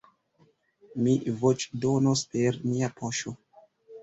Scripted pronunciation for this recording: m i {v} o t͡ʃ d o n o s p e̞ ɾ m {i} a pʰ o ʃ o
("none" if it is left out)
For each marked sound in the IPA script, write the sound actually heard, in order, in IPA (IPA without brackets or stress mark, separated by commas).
v, i